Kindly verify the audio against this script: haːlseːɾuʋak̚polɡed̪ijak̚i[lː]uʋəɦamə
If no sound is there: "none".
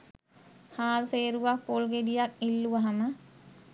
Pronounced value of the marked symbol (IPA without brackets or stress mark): lː